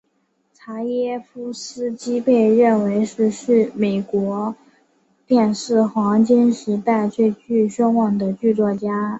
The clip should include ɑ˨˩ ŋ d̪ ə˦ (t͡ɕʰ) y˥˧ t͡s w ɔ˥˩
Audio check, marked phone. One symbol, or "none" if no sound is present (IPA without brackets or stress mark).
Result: t͡ɕ